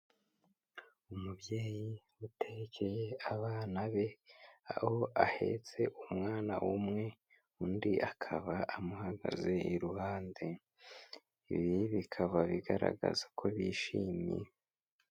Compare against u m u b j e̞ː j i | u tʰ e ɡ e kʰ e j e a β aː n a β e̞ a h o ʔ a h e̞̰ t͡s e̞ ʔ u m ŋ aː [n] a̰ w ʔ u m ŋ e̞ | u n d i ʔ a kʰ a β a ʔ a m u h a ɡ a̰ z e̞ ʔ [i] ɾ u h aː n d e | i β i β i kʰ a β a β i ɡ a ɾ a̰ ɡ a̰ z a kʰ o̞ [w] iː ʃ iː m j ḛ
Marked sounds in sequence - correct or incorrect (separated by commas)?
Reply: correct, correct, incorrect